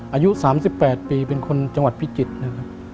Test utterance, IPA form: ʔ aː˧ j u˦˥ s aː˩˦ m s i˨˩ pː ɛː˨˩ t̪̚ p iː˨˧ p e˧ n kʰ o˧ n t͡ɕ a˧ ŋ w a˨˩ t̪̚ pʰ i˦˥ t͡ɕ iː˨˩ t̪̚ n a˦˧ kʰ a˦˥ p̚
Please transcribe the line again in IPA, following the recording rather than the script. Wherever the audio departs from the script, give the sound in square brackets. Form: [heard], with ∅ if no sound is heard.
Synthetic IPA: ʔ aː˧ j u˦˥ s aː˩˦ m s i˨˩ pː ɛː˨˩ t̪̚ p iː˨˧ p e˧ n kʰ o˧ n t͡ɕ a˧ ŋ w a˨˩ t̪̚ pʰ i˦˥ t͡ɕ [i˨˩] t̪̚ n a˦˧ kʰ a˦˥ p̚